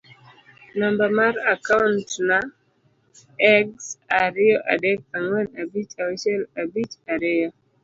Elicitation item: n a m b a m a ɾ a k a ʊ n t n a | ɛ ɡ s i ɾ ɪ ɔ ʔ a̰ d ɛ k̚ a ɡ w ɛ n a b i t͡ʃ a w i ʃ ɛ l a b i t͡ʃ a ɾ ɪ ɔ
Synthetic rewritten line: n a m b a m a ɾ a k a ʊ n t n a | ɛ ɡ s a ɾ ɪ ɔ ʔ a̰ d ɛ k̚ a ŋ w ɛ n a b i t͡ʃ a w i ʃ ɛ l a b i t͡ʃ a ɾ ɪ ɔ